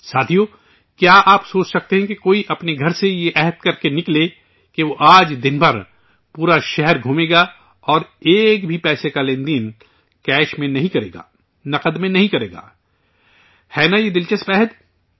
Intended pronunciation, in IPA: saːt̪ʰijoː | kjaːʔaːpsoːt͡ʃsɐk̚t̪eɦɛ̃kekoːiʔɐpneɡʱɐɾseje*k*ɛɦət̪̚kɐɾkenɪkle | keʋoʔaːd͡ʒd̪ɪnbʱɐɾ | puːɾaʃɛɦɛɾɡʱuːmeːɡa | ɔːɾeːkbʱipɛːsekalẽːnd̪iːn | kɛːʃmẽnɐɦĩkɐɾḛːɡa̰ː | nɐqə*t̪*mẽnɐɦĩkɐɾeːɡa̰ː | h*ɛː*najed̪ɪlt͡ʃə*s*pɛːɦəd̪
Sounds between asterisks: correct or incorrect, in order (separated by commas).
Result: incorrect, incorrect, correct, correct